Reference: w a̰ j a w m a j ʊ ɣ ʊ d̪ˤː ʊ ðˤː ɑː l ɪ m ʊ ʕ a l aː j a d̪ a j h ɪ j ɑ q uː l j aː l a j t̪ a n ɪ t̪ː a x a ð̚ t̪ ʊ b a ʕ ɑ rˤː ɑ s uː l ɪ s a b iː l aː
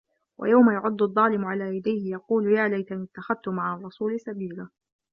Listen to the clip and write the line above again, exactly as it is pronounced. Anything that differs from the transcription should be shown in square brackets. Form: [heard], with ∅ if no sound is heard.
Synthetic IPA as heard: w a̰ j a w m a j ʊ [ʕ] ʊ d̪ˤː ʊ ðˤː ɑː l ɪ m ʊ ʕ a l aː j a d̪ a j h ɪ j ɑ q uː l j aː l a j t̪ a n ɪ t̪ː a x a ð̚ t̪ ʊ [m] a ʕ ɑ rˤː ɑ s uː l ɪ s a b iː l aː